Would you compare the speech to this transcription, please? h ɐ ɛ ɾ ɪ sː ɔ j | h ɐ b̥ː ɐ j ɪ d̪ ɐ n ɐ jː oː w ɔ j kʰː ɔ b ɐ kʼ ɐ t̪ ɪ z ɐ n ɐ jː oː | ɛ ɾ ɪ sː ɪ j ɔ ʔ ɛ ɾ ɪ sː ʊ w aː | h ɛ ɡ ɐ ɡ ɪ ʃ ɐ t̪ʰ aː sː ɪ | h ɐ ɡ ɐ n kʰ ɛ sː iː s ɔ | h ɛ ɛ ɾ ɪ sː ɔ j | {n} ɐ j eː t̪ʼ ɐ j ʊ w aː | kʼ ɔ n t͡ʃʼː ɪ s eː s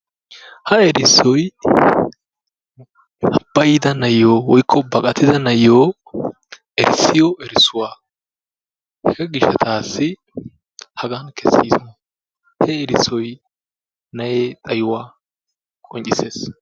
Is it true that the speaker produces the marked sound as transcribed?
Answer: yes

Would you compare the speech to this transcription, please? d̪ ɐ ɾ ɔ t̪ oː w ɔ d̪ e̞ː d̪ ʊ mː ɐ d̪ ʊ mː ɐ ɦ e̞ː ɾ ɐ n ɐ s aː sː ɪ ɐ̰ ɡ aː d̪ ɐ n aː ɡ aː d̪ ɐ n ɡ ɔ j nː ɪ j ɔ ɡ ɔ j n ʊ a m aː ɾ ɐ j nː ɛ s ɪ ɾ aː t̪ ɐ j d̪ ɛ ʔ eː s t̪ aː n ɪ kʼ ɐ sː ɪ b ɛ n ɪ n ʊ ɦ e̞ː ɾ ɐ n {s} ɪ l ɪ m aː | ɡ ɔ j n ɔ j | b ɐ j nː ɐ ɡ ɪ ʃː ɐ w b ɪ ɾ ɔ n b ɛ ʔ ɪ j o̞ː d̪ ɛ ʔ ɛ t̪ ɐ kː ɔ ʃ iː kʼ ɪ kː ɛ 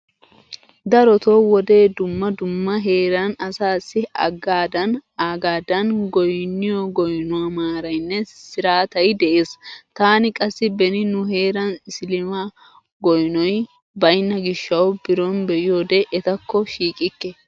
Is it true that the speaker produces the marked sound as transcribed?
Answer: yes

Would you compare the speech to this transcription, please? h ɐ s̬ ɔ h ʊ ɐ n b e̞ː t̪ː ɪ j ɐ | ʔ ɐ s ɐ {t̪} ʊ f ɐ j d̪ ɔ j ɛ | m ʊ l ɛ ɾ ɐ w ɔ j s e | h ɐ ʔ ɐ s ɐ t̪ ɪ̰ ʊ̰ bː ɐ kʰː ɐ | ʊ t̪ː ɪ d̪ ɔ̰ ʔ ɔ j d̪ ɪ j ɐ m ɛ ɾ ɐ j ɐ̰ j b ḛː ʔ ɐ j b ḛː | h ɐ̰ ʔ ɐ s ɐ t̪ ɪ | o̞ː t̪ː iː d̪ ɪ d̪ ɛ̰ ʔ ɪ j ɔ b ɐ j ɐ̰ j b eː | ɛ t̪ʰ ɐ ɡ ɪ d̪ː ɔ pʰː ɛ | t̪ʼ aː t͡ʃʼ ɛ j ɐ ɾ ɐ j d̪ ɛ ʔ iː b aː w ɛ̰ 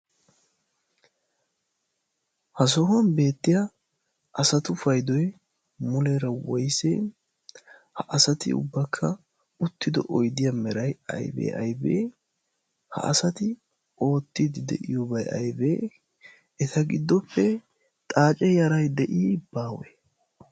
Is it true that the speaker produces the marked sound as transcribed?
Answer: yes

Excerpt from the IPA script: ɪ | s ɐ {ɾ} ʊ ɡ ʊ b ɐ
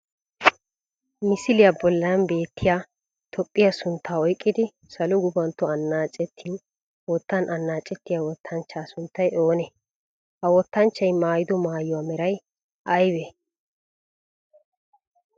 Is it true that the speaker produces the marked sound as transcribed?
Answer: no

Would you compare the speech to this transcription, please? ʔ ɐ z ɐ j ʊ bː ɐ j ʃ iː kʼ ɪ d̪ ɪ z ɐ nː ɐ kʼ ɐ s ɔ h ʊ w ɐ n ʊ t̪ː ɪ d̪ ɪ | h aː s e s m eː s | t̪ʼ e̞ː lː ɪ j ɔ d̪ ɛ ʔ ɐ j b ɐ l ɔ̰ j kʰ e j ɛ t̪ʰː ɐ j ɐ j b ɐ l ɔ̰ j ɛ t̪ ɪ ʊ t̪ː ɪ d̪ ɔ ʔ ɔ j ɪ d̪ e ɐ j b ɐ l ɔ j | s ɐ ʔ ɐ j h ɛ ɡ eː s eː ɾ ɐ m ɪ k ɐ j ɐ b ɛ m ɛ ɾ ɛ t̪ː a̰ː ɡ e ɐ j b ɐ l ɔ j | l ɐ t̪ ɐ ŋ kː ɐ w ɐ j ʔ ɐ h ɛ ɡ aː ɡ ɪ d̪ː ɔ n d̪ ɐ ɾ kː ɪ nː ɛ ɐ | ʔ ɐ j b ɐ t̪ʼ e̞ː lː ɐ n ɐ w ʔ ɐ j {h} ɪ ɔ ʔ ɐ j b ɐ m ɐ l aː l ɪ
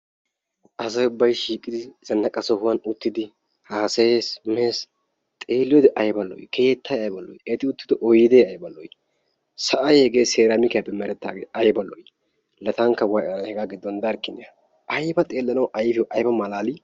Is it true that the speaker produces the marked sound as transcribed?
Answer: no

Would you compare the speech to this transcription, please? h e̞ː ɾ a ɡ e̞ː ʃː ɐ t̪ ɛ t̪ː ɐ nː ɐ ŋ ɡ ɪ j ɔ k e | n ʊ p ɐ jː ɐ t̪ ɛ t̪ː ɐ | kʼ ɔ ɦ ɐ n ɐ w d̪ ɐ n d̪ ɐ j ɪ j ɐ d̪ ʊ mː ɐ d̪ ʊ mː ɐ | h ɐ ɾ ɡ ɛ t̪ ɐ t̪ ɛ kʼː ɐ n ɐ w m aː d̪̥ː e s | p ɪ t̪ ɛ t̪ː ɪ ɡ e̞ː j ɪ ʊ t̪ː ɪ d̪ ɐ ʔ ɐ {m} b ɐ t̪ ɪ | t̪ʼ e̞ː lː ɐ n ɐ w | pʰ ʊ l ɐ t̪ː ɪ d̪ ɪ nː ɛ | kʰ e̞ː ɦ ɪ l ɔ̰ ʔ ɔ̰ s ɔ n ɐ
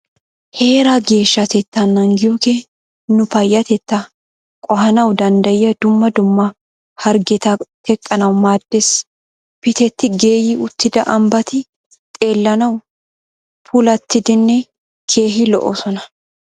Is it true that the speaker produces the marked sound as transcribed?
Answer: yes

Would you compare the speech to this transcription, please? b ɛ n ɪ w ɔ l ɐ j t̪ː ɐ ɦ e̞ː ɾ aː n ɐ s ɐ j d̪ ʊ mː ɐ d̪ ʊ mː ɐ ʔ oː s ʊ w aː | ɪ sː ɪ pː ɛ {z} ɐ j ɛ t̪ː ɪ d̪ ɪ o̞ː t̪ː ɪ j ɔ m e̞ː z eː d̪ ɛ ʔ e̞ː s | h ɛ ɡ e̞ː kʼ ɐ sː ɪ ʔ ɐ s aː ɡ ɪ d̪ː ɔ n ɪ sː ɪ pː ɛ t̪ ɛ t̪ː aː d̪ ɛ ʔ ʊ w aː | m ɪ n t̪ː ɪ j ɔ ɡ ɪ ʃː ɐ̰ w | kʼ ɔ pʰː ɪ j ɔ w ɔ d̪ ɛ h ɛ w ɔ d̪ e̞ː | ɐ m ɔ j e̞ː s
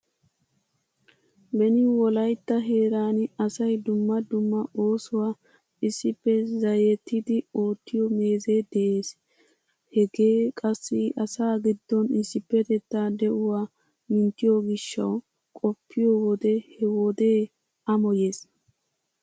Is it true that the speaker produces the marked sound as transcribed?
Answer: yes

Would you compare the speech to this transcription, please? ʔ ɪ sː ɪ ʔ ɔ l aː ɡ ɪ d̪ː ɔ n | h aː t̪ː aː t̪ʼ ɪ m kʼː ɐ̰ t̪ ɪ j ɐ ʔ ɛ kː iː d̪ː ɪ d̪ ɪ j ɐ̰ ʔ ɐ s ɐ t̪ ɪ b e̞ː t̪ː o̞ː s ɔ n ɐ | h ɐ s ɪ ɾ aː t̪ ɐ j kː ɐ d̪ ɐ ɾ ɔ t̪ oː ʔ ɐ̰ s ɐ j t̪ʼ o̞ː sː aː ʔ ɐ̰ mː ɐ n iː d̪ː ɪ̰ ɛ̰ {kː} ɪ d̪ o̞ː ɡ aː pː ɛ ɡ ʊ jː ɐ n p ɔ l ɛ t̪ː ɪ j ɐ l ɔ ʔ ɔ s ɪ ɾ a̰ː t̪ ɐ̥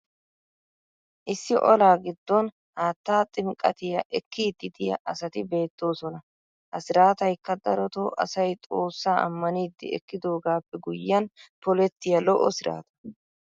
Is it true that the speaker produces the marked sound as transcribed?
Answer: yes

